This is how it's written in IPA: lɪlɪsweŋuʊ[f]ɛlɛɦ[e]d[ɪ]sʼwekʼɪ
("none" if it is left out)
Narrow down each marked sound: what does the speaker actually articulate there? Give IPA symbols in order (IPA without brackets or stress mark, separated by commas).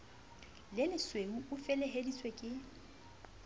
f, e, i